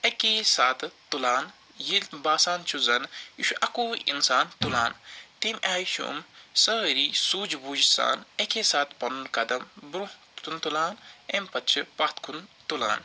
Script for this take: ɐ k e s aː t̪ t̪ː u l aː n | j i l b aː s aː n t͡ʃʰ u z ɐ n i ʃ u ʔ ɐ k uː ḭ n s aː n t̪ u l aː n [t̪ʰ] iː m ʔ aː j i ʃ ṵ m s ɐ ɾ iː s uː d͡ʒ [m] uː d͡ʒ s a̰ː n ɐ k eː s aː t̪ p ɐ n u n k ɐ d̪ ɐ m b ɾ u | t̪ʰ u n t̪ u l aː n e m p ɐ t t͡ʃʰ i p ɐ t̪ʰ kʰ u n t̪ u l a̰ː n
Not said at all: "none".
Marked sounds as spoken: t̪, b

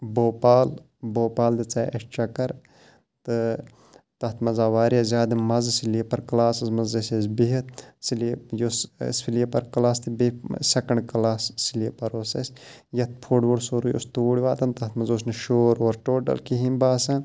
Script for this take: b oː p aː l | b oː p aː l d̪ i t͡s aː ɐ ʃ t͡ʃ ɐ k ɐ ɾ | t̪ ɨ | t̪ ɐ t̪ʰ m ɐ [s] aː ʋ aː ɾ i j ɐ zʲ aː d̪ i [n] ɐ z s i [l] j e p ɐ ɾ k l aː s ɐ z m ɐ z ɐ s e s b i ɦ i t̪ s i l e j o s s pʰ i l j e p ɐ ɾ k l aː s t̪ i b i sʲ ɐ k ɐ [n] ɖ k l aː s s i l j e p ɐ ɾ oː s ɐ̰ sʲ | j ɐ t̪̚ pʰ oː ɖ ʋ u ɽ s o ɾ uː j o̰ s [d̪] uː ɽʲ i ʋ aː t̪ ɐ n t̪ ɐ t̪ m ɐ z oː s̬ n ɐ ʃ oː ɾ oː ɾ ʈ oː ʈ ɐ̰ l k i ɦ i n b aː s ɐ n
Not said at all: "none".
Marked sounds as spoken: z, m, l, ɳ, t̪

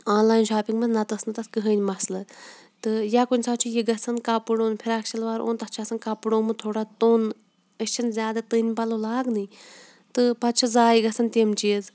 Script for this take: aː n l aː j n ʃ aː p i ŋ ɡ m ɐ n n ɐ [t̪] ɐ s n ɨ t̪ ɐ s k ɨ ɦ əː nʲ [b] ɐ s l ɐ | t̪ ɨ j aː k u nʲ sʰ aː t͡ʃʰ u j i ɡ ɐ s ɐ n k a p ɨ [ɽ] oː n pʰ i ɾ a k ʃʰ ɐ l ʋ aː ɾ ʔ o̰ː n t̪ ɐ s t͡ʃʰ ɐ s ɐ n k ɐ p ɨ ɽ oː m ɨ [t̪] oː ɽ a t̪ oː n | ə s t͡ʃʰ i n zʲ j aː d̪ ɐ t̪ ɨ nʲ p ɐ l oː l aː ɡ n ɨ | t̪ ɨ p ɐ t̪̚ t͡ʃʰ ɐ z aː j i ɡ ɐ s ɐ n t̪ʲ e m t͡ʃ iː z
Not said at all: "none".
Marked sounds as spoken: t̪, m, ɽ, t̪ʰ

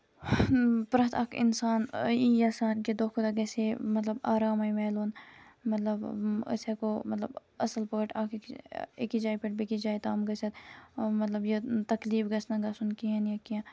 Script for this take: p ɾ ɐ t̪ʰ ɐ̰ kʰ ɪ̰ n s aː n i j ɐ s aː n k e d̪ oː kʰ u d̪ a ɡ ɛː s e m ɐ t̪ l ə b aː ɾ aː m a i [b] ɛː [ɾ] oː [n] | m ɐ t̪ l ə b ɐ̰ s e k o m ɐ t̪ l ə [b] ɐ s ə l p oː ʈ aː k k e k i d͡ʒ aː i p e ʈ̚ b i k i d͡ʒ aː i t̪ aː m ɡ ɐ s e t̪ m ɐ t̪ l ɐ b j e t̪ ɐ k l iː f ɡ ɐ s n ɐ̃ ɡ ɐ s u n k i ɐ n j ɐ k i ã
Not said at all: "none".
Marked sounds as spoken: m, l, n, b

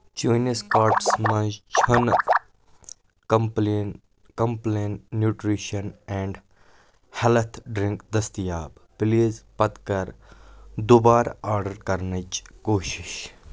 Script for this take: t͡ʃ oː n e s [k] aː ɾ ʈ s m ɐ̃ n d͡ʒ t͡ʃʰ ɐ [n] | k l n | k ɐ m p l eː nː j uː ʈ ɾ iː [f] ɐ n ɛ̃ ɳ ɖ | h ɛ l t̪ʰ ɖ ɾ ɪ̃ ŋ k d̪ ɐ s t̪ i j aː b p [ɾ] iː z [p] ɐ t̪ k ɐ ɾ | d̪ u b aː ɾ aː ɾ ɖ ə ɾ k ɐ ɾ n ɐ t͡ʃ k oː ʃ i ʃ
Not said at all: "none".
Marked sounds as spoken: k, n, ʃ, l, p

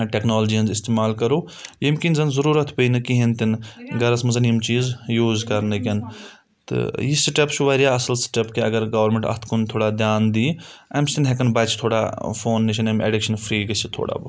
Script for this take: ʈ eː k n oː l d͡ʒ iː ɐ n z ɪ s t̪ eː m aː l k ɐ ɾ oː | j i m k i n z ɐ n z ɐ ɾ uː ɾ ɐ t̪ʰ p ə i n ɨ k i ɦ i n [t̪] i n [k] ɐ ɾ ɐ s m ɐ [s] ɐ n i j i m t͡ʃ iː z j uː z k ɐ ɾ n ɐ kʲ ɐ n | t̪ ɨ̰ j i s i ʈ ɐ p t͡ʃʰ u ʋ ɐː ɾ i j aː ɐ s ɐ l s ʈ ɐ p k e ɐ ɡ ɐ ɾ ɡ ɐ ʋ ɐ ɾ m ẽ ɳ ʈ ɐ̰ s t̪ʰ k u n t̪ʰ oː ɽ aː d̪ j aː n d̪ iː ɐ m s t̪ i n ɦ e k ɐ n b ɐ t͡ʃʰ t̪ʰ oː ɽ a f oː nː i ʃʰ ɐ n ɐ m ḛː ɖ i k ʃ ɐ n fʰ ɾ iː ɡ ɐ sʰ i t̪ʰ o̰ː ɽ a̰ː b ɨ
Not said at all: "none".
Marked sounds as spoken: t̪, ɡ, z

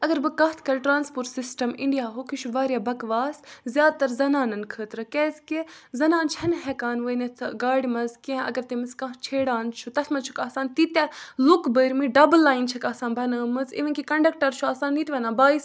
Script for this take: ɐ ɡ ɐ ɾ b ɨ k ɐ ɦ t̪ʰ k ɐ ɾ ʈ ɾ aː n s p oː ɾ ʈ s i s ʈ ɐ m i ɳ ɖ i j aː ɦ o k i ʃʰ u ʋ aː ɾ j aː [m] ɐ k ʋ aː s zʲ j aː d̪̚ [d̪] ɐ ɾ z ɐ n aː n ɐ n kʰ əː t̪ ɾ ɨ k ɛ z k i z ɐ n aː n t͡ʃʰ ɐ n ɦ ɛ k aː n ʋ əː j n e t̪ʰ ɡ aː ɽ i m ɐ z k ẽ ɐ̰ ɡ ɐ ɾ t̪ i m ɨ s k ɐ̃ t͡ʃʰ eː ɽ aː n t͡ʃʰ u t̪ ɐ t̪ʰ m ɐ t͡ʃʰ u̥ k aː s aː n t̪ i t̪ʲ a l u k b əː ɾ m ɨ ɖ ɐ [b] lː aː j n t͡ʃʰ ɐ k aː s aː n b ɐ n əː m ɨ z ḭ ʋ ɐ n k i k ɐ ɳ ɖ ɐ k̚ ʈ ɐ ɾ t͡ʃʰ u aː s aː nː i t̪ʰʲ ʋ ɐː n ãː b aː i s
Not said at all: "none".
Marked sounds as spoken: b, t̪, b

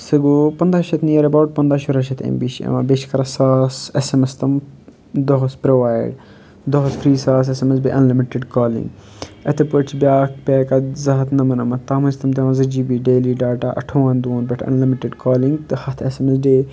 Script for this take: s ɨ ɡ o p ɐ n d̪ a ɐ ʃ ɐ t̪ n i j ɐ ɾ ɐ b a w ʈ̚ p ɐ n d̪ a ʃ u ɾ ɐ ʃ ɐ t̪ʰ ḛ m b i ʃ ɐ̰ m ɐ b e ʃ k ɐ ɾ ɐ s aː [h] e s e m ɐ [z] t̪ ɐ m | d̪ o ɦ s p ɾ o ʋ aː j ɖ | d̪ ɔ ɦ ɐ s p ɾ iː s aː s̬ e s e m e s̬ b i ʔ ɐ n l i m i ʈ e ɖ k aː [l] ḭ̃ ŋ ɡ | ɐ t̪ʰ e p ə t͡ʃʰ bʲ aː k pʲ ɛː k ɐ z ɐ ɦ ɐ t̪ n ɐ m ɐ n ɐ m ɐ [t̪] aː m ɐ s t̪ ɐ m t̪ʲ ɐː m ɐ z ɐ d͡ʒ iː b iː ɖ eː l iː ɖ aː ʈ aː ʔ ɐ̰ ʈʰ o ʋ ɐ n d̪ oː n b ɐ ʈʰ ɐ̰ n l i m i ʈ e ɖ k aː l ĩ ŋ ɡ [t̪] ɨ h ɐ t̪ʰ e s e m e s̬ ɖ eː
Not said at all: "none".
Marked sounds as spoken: s, s, l, t̪, t̪

